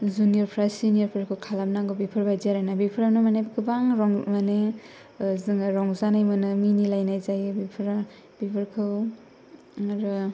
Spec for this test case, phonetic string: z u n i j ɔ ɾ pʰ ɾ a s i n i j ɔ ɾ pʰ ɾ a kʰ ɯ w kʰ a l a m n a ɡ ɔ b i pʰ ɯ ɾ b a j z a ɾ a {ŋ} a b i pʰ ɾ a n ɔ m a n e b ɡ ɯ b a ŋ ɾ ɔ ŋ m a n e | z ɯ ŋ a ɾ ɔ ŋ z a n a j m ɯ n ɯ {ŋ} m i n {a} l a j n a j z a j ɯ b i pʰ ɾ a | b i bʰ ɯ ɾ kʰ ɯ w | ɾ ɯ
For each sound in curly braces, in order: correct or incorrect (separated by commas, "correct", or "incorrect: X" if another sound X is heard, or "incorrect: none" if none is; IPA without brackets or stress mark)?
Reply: incorrect: n, incorrect: none, incorrect: i